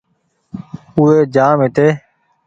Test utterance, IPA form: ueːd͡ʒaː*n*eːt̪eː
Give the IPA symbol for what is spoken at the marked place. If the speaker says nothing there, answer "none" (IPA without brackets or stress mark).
m